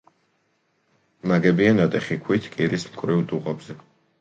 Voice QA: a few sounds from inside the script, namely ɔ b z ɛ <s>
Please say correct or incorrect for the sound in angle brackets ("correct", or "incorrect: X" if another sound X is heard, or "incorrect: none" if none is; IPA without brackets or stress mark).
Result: incorrect: none